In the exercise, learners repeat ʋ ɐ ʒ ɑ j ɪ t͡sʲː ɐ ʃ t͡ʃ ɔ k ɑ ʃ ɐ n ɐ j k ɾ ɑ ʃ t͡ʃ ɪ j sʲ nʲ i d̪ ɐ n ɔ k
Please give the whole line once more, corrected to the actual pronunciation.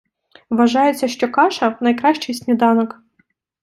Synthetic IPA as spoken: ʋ ɐ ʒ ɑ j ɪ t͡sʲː ɐ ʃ t͡ʃ ɔ k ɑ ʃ ɐ n ɐ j k ɾ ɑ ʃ t͡ʃ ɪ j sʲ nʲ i d̪ ɑ n ɔ k